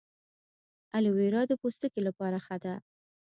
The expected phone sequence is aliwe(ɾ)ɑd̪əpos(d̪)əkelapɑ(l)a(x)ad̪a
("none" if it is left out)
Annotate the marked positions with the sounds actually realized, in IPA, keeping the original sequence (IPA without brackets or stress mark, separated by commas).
ɾ, t̪, ɾ, x